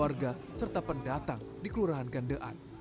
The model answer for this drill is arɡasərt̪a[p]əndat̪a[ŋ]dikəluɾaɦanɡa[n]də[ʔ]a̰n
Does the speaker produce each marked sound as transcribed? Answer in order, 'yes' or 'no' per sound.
yes, yes, yes, yes

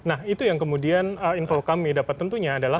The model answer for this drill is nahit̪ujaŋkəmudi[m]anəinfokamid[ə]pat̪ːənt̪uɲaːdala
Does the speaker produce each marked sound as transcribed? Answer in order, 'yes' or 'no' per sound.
no, no

